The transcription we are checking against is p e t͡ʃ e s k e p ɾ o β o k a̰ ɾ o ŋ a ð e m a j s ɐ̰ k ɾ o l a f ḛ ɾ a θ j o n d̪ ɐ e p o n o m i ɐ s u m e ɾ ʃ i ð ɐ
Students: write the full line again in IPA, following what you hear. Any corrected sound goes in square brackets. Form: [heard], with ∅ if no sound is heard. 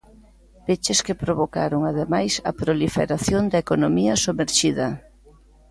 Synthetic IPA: p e t͡ʃ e s k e p ɾ o β o k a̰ ɾ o ŋ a ð e m a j s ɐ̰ [p] ɾ o l [i] f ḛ ɾ a θ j o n d̪ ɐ e [k] o n o m i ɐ s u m e ɾ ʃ i ð ɐ